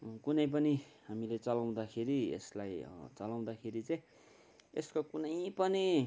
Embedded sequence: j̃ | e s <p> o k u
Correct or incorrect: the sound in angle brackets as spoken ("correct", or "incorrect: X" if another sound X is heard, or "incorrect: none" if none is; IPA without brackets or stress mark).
incorrect: k